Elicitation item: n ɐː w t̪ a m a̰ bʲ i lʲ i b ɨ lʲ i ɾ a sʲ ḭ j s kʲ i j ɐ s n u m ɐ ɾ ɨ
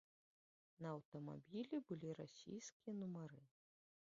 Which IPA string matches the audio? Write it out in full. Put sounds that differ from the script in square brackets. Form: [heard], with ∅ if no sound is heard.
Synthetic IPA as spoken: n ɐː w t̪ [ɐ] m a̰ bʲ i lʲ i b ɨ lʲ i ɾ a sʲ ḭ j s kʲ i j ɐ [∅] n u m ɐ ɾ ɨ